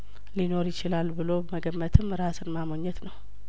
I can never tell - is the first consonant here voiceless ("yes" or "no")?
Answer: no